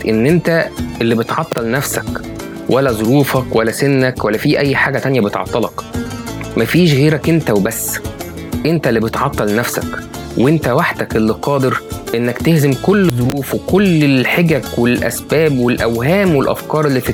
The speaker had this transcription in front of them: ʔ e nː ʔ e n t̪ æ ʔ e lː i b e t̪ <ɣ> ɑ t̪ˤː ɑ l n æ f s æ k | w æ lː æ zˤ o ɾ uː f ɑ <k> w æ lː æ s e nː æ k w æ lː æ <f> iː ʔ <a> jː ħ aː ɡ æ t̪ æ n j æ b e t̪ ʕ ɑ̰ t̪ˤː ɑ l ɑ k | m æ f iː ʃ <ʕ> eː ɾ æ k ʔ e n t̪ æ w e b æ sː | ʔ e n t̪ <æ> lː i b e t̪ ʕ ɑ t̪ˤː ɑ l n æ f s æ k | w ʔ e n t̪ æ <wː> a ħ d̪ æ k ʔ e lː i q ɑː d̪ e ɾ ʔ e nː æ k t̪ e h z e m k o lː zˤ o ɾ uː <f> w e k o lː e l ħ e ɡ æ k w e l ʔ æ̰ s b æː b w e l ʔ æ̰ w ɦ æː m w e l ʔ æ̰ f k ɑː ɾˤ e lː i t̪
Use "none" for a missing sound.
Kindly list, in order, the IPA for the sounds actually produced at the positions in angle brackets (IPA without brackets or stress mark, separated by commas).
ʕ, k, f, æ, ɣ, æ, w, f